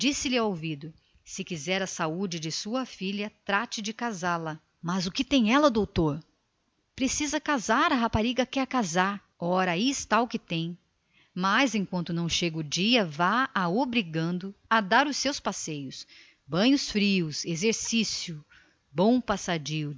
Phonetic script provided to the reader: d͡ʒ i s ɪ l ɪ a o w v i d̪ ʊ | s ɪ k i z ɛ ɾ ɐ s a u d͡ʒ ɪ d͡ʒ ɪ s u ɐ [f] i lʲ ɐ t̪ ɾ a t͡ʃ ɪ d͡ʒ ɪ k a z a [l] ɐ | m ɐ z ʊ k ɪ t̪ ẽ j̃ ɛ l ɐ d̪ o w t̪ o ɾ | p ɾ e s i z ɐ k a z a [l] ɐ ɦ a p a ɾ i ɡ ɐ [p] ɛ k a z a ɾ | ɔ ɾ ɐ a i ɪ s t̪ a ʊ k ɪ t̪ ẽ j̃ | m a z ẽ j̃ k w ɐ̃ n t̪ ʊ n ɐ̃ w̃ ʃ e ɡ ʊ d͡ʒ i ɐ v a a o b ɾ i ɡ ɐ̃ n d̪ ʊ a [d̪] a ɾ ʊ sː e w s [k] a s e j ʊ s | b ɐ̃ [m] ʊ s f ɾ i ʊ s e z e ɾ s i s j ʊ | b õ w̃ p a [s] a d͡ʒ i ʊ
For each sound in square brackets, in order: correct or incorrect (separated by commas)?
correct, correct, incorrect, incorrect, correct, incorrect, incorrect, correct